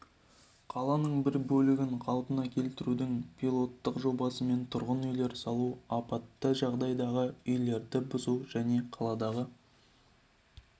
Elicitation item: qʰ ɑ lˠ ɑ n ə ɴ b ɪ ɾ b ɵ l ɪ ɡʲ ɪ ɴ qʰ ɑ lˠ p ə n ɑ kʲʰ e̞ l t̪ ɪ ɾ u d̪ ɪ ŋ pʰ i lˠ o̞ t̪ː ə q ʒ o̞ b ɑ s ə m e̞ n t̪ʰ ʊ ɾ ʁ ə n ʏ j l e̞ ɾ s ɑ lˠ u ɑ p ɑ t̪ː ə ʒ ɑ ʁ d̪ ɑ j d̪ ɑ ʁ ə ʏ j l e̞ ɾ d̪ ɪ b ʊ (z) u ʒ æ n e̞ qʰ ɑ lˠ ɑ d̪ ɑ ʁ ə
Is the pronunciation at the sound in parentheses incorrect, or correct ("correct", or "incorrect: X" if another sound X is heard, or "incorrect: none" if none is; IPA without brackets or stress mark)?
correct